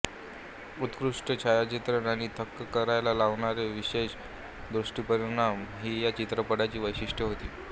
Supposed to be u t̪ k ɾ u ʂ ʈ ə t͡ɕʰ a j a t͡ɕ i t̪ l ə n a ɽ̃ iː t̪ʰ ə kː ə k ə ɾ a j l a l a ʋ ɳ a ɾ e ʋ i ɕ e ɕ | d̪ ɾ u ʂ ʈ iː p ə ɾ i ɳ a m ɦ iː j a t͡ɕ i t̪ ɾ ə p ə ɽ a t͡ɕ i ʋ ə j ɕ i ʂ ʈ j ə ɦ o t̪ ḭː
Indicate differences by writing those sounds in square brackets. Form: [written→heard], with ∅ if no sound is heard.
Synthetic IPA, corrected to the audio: u t̪ k ɾ u ʂ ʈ ə t͡ɕʰ a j a t͡ɕ i t̪ [l→ɾ] ə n a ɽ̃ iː t̪ʰ ə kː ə k ə ɾ a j l a l a ʋ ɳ a ɾ e ʋ i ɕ e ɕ | d̪ ɾ u ʂ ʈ iː p ə ɾ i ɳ a m ɦ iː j a t͡ɕ i t̪ ɾ ə p ə ɽ a t͡ɕ [i→iː] ʋ ə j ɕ i ʂ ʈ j ə ɦ o t̪ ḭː